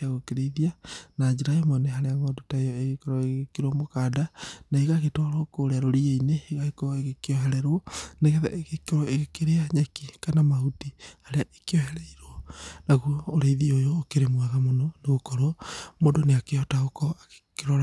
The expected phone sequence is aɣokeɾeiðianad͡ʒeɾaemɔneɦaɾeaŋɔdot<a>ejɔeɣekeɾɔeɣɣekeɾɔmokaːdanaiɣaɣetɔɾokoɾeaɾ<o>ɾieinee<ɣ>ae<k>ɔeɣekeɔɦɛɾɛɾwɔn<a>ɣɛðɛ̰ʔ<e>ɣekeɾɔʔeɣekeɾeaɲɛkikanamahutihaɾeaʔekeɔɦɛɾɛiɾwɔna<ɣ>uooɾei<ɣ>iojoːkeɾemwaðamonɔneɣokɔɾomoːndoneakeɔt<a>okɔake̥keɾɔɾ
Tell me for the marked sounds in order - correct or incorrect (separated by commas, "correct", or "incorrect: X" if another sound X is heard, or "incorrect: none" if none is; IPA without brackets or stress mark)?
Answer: correct, correct, correct, correct, incorrect: e, correct, correct, incorrect: ð, correct